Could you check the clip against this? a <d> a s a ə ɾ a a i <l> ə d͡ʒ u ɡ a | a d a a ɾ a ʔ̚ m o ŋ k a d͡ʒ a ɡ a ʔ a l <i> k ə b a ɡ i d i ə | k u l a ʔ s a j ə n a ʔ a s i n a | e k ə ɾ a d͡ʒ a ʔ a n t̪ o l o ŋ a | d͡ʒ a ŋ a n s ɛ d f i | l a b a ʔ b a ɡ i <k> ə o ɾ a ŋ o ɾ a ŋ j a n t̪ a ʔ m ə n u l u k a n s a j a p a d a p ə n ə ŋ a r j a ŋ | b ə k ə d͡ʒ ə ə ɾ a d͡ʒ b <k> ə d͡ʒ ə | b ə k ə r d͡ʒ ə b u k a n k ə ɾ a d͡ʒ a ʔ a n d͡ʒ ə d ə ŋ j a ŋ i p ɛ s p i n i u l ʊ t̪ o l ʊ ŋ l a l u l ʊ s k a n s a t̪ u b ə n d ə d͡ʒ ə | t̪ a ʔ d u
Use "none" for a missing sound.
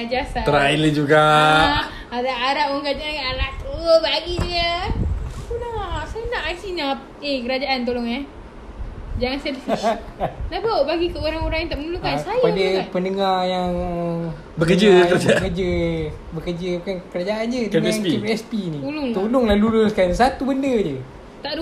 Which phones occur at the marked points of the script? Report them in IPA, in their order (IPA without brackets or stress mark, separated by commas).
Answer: d͡ʒ, l, a, k, k